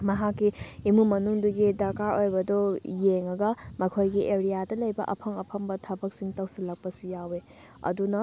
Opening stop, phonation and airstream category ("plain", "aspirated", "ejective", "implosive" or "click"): plain